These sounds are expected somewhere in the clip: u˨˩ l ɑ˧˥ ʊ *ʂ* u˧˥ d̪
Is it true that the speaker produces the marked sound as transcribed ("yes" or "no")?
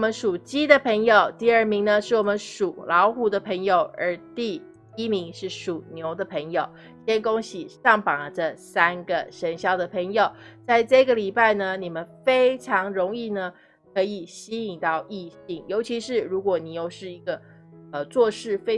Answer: no